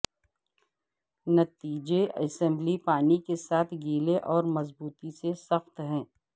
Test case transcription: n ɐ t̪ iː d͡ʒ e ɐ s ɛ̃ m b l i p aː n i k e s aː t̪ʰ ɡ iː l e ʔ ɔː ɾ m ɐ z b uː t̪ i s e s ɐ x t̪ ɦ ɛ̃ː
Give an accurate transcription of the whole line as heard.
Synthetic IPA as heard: n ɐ t̪ iː d͡ʒ e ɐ s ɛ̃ m b l i p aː n i k e s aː t̪ʰ ɡ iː l e ʔ ɔː ɾ m ɐ z b uː t̪ i s e s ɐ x t̪ ɦ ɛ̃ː